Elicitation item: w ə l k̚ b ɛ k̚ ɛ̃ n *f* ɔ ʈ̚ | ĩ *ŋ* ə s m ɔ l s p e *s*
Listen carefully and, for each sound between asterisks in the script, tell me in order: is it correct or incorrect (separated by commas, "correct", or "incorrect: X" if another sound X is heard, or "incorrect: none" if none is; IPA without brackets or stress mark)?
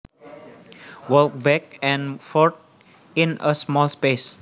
correct, incorrect: n, correct